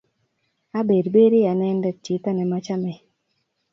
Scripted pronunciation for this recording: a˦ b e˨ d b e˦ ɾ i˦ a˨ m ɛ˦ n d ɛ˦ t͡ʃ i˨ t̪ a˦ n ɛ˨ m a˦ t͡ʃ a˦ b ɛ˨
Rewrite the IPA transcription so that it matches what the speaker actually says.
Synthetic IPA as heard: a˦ b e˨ d b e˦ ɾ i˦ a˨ n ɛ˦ n d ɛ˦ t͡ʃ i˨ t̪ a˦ n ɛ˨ m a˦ t͡ʃ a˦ m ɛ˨